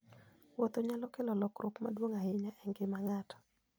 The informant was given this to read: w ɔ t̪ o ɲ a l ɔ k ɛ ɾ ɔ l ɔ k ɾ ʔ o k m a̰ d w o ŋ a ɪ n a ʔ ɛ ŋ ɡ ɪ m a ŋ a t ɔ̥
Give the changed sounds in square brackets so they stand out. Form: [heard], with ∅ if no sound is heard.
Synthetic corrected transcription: w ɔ t̪ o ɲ a l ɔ k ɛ [l] ɔ l ɔ k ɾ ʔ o k m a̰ d w o ŋ a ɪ [ɲ] a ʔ ɛ ŋ ɡ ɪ m a ŋ a t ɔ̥